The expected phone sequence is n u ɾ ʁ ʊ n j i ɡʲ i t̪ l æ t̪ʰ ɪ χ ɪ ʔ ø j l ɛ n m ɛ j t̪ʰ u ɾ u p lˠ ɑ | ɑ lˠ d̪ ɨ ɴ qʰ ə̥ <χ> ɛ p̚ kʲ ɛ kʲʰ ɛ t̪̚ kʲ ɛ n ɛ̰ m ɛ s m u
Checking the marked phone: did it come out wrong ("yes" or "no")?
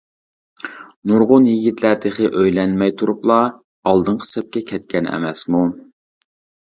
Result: yes